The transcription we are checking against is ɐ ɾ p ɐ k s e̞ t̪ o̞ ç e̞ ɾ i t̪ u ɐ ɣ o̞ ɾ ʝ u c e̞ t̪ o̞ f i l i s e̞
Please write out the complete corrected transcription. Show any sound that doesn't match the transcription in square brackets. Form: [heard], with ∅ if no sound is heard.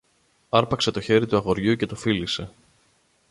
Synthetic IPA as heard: ɐ ɾ p ɐ k s e̞ t̪ o̞ ç e̞ ɾ i t̪ u ɐ ɣ o̞ ɾ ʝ u c e̞ t̪ o̞ f i l i s e̞